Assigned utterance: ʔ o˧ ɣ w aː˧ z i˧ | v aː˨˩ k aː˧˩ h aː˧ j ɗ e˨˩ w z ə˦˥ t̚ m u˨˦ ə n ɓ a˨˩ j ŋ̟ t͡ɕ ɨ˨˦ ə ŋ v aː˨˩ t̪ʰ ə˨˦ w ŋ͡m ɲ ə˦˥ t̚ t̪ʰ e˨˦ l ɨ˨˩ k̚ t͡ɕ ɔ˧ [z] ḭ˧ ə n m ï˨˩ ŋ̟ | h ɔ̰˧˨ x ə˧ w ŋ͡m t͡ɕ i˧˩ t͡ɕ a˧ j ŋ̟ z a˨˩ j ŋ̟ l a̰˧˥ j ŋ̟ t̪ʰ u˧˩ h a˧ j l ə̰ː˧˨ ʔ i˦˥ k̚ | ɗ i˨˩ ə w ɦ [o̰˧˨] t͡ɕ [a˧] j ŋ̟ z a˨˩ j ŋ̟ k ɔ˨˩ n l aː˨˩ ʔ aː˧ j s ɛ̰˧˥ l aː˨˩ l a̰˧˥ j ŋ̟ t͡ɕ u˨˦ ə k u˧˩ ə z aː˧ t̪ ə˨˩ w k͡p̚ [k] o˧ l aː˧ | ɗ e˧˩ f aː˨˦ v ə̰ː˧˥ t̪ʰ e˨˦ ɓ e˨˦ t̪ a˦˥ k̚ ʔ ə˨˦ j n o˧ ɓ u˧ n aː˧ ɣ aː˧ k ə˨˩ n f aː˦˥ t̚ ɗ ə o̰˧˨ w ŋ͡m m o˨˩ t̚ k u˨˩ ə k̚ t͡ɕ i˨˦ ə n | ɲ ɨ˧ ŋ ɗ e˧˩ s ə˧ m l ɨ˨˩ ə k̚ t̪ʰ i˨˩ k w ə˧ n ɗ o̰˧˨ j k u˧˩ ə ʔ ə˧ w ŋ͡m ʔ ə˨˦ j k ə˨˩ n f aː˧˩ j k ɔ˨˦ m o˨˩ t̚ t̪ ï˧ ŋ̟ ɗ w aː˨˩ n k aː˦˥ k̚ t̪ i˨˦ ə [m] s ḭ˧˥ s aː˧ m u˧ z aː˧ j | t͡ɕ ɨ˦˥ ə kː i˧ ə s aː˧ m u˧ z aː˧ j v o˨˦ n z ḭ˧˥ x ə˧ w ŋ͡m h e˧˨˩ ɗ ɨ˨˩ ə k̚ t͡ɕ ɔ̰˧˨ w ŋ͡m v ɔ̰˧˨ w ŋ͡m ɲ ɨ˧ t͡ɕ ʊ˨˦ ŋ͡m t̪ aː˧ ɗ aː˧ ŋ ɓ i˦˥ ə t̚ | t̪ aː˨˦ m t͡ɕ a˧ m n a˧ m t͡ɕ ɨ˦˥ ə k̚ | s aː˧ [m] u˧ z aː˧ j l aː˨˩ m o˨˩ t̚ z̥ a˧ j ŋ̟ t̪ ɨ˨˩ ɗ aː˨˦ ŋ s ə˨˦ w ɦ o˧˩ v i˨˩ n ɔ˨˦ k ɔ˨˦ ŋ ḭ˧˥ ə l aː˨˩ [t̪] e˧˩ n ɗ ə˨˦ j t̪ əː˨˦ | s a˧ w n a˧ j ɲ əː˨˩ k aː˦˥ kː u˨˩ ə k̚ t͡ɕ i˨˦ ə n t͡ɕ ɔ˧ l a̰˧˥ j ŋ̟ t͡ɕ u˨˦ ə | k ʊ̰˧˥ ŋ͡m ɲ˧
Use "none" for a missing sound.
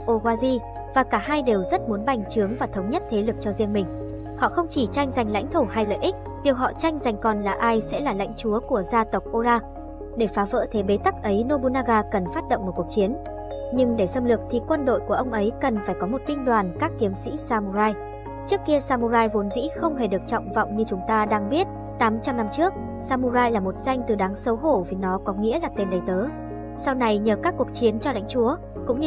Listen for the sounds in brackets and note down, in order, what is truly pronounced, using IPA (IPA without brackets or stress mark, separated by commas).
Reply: z, ɔ̰˧˨, a˧, ʔ, m, m, t̪